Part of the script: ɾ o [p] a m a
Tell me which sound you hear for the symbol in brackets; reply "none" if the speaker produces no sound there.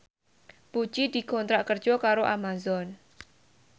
ʔ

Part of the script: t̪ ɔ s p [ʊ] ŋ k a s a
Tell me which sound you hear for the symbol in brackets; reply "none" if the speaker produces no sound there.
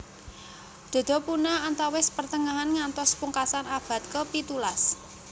u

